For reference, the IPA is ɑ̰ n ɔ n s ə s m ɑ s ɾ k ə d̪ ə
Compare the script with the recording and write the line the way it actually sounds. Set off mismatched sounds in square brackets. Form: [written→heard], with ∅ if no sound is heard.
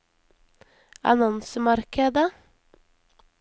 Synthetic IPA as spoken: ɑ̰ n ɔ n s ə [s→∅] m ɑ [s→∅] ɾ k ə d̪ ə